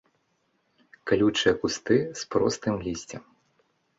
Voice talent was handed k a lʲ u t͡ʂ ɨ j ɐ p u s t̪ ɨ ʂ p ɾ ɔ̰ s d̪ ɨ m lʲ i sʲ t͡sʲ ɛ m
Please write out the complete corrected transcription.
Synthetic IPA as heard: k a lʲ u t͡ʂ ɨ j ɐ k u s t̪ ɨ s p ɾ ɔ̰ s t̪ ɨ m lʲ i sʲ t͡sʲ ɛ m